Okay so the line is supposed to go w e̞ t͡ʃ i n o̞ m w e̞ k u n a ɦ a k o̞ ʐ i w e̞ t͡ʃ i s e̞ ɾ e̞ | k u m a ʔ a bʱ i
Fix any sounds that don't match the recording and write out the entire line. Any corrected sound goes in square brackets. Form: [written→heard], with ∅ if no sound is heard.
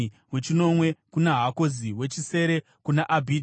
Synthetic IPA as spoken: w e̞ t͡ʃ i n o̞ m w e̞ k u n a ɦ a k o̞ [ʐ→z] i w e̞ t͡ʃ i s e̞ ɾ e̞ | k u [m→n] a ʔ a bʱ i